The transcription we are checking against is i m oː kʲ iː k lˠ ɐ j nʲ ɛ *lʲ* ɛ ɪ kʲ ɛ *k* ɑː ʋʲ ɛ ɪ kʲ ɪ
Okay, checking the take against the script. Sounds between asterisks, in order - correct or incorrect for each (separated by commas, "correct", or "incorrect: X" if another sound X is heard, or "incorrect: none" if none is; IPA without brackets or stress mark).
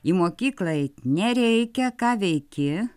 incorrect: ɾʲ, correct